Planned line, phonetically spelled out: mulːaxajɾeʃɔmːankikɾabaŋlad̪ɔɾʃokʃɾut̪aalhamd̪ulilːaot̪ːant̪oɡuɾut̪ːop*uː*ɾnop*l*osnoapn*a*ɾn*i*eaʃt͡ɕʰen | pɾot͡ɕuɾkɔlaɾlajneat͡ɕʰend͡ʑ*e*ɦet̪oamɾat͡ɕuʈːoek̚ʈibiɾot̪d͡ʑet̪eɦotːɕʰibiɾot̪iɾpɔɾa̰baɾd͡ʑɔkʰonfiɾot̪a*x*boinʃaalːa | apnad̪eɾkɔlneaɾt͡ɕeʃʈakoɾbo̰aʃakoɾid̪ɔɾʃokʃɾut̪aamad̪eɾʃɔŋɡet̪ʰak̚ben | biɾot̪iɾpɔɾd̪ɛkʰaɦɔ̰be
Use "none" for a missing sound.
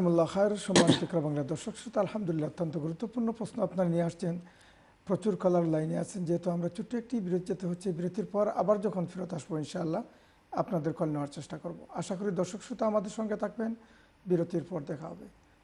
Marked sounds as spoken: u, ɾ, a, i, e, ʃ

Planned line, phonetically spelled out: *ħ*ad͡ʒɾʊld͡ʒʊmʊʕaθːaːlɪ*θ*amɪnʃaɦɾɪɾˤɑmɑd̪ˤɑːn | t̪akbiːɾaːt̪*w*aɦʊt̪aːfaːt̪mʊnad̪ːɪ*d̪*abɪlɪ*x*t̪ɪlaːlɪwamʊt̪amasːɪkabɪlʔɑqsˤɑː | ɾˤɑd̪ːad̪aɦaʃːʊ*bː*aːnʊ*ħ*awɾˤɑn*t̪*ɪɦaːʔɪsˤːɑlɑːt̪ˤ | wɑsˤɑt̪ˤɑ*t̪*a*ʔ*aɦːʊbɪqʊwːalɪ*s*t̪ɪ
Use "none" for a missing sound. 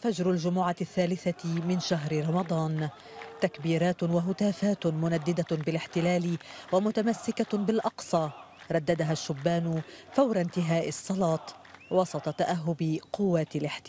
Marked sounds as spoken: f, θ, w, d̪, ħ, bː, f, t̪, t̪, ʔ, ħ

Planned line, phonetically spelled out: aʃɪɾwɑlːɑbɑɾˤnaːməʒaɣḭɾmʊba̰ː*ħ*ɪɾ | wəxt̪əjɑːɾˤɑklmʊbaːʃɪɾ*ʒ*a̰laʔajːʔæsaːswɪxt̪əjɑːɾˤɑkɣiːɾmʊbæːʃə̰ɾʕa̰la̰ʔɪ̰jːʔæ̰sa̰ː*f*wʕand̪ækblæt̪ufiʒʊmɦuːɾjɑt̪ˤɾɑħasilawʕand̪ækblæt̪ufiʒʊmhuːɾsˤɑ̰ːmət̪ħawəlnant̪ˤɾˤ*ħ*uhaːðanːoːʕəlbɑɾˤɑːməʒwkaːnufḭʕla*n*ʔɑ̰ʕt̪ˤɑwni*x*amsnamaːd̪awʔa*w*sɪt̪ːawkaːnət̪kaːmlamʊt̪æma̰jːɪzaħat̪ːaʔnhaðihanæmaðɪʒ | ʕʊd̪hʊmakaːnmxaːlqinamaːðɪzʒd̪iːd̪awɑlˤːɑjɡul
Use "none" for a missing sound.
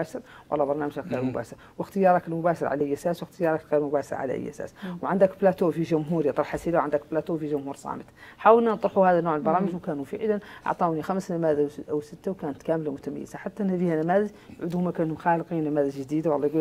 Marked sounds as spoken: ʃ, ʕ, s, ħ, n, x, w

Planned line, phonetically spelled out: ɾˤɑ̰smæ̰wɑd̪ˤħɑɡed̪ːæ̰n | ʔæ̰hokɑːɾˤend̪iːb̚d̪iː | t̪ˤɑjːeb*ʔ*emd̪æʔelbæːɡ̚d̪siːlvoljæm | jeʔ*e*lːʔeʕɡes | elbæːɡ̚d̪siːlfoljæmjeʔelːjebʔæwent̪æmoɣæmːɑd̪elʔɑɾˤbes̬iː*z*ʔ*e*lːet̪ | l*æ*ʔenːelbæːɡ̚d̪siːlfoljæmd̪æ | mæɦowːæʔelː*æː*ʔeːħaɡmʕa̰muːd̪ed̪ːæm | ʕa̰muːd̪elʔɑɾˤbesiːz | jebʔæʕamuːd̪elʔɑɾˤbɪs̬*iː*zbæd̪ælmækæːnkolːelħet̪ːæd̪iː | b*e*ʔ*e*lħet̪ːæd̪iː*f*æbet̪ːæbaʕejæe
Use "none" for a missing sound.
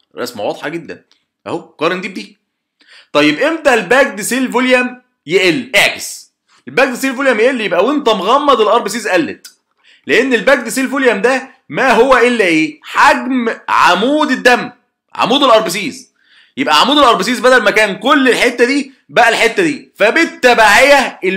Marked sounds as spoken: ʔ, e, z, æ, e, æ, iː, æ, æ, f

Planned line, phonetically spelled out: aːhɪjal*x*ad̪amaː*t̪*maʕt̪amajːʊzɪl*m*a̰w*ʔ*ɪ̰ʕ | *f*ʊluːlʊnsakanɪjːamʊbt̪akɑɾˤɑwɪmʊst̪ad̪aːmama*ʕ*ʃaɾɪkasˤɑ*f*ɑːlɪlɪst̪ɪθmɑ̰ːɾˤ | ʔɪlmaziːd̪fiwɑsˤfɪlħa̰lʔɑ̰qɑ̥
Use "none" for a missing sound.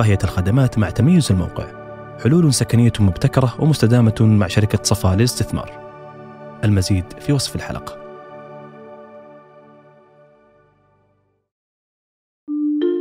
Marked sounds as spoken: x, t̪, m, q, ħ, ʕ, f

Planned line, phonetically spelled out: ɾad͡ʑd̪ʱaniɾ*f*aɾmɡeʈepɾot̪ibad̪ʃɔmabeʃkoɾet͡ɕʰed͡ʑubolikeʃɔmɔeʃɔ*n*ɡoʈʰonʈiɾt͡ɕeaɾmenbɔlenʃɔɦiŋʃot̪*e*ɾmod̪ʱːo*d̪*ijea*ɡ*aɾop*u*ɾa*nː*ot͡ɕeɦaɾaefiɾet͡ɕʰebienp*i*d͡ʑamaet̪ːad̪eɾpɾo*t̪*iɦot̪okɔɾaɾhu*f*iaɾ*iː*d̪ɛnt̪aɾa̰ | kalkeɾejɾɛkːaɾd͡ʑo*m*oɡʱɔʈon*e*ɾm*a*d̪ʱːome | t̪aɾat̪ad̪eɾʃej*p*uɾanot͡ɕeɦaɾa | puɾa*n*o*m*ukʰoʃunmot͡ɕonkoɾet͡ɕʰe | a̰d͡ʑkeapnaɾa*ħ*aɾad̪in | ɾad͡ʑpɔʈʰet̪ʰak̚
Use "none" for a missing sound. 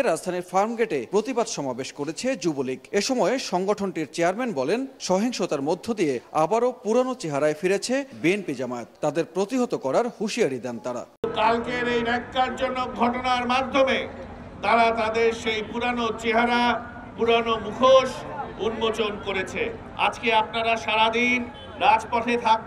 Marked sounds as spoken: f, ŋ, a, d̪, b, u, n, i, t̪, ʃ, i, n, a, a, p, n, m, ʃ

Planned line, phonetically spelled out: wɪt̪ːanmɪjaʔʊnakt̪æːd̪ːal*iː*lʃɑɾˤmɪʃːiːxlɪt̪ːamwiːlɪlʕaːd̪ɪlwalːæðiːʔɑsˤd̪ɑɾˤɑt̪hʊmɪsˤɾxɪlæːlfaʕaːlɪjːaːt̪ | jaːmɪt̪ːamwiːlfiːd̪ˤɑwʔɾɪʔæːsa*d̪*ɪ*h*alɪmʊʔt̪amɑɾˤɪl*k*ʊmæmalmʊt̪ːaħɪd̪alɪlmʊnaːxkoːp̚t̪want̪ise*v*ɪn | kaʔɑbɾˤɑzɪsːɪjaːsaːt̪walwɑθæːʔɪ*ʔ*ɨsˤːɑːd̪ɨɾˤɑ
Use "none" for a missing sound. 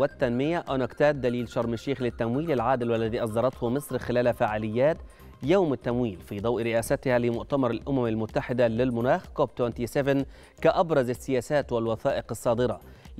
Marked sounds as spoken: iː, t̪, h, ʔ, v, q

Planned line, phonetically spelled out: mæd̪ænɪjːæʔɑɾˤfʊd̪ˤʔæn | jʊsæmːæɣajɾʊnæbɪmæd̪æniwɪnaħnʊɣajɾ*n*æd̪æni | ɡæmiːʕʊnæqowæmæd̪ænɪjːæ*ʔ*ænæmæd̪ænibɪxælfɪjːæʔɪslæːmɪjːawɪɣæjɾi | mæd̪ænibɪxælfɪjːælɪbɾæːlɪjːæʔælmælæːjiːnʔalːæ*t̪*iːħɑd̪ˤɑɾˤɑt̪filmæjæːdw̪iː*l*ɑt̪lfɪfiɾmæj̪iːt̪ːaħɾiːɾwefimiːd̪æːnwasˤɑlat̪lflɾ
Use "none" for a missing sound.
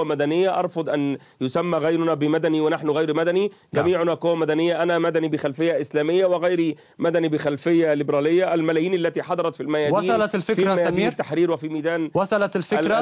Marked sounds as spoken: m, ʔ, t̪, l

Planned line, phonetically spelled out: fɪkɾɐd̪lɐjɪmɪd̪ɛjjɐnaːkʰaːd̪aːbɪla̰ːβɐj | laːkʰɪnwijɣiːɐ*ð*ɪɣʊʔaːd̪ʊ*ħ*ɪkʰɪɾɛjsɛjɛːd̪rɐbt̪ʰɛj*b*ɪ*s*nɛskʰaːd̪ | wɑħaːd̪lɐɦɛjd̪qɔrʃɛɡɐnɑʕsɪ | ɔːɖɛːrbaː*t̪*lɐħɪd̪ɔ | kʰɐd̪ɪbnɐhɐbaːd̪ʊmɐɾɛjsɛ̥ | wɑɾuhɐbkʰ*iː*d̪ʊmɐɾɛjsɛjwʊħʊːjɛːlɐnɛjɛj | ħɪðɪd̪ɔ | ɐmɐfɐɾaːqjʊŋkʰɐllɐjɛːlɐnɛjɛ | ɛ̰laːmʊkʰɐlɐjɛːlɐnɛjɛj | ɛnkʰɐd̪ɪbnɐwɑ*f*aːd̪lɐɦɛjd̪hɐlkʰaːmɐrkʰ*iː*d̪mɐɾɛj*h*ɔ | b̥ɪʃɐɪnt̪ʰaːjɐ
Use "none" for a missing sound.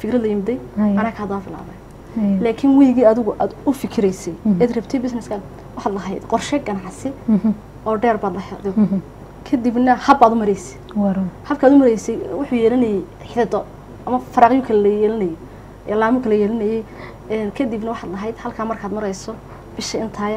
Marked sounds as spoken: ð, f, b, s, d̪, aː, ħ, aː, s

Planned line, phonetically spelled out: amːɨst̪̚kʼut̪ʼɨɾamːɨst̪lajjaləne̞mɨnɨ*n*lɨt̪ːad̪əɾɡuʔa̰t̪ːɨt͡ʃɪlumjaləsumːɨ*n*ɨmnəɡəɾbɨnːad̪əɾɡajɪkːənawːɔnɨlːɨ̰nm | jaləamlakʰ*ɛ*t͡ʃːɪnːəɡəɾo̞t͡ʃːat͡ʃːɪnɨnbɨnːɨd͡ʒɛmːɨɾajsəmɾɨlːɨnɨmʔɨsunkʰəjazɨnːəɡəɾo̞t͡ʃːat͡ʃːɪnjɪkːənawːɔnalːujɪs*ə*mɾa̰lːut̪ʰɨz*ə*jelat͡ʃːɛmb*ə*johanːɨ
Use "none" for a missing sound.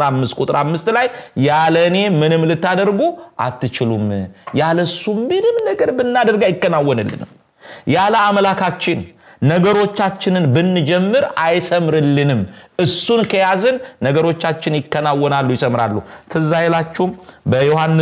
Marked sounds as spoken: m, n, a, ə, a, ə

